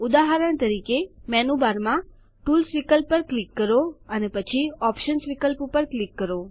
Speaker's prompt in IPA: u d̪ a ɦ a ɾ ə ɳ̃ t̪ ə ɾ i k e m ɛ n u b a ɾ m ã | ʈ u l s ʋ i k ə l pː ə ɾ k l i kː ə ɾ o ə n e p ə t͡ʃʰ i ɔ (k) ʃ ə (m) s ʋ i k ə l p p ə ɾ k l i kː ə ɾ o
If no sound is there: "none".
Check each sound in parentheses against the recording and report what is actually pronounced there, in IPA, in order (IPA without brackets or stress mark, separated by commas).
p, n